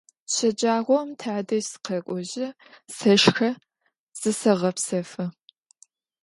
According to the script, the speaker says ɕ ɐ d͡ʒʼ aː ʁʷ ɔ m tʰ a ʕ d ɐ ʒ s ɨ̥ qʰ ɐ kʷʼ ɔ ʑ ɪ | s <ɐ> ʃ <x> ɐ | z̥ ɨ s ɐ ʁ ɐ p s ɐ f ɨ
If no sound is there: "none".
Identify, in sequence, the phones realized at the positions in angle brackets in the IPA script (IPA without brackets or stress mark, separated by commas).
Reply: ɐ, x